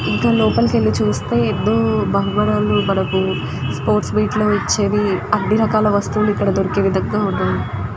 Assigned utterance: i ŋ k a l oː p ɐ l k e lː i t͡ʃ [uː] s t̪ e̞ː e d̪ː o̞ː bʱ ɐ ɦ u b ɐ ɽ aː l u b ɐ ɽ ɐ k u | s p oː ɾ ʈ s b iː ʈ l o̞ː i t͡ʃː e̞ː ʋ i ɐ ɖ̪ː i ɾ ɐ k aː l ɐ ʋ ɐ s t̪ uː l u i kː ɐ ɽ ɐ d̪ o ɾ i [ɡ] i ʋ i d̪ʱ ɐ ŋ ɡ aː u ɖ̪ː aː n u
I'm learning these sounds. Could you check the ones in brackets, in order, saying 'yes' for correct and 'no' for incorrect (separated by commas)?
yes, no